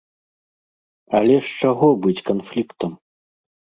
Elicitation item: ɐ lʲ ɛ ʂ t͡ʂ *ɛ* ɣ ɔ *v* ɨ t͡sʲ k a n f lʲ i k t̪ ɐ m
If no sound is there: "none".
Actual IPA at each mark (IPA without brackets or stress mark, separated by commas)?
a, b